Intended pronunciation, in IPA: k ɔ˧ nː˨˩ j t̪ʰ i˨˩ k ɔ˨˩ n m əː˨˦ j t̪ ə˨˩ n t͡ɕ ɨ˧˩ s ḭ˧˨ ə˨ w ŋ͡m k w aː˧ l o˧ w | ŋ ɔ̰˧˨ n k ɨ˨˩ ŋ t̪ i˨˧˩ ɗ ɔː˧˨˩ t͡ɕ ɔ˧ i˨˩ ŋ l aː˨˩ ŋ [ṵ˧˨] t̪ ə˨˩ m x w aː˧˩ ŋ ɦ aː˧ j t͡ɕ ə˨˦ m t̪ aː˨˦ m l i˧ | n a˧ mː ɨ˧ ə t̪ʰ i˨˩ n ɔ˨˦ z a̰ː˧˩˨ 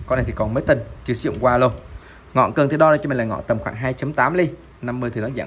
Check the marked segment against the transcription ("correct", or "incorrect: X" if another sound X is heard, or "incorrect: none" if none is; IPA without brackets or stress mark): incorrect: ɔ̰˧˨